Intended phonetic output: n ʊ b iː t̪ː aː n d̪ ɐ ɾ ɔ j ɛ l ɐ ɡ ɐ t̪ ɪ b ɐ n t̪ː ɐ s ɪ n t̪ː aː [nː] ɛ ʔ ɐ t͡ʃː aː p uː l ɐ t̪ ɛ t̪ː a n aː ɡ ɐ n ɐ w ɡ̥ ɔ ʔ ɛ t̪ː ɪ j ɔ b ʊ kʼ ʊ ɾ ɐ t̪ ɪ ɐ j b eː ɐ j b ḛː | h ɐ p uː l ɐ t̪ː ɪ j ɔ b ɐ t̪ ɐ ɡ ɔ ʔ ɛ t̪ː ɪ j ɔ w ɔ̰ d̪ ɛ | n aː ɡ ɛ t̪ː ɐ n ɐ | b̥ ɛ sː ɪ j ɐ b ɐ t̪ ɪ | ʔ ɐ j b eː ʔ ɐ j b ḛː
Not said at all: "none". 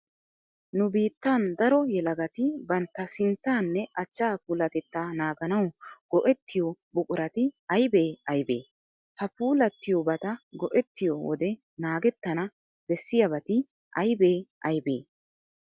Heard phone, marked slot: nː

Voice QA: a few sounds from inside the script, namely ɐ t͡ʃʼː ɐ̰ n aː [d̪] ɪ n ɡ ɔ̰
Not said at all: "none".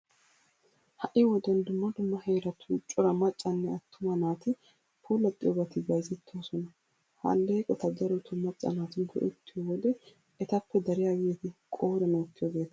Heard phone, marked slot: t̪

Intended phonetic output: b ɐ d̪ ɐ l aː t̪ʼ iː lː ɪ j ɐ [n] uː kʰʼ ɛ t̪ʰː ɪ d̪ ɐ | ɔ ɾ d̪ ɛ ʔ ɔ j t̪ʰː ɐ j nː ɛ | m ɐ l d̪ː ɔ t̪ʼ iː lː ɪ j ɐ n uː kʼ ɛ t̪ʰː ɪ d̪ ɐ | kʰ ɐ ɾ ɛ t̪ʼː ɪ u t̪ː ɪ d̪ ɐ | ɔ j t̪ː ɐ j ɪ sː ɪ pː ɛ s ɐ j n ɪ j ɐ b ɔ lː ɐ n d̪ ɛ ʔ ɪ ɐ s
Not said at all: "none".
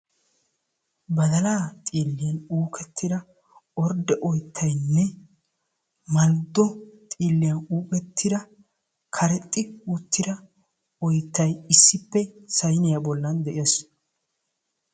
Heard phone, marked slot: n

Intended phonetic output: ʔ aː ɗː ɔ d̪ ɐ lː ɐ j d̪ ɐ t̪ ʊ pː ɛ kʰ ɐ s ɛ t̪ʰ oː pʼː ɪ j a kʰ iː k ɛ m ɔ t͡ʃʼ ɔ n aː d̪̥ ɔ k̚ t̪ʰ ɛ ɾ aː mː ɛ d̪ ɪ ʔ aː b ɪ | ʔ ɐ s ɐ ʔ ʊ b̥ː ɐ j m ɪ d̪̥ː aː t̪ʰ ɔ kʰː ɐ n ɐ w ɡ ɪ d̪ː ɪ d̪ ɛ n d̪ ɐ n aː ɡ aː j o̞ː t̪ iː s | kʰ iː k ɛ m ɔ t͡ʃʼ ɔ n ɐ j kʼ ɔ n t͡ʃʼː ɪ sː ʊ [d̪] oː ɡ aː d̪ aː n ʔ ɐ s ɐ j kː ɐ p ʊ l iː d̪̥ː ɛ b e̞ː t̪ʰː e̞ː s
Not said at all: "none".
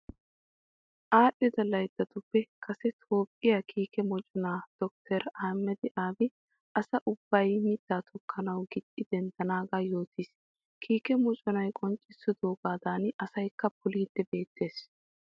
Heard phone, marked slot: d̪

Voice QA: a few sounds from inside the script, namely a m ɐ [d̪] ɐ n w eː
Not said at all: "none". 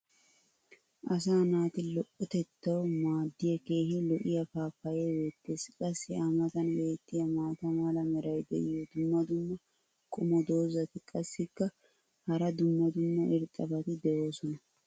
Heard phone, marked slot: t̪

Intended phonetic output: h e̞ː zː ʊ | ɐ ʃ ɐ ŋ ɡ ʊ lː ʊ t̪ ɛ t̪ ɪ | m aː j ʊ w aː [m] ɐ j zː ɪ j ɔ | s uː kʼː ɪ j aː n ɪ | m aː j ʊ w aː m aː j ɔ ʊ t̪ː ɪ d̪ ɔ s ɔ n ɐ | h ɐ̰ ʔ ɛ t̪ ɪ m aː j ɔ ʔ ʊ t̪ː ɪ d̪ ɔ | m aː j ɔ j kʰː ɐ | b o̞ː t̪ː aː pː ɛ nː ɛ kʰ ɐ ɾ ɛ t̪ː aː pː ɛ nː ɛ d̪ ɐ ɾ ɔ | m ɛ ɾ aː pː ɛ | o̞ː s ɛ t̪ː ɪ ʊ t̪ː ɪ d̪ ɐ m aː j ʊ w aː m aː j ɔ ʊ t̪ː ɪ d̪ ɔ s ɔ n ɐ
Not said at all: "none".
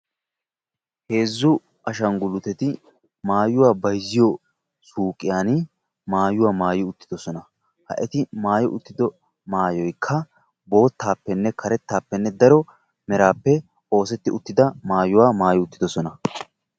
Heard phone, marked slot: b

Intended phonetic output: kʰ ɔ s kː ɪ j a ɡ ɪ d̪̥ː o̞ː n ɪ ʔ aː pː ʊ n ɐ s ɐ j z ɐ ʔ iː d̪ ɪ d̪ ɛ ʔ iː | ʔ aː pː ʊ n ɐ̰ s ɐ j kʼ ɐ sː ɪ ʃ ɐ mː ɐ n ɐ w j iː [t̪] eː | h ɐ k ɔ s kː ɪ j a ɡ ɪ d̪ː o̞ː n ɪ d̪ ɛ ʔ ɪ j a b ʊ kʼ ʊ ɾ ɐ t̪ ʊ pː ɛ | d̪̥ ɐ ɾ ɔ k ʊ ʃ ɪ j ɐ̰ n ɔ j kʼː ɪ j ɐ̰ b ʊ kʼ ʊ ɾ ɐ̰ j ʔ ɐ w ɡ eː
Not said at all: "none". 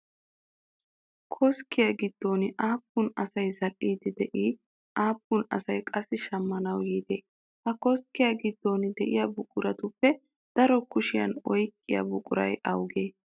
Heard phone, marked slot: d̪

